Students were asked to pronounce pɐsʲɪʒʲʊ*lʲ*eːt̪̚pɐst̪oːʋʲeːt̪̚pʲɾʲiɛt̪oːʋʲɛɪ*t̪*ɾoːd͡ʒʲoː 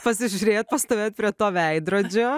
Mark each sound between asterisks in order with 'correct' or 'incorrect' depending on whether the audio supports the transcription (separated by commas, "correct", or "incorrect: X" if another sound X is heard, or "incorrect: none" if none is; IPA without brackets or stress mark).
incorrect: ɾʲ, incorrect: d̪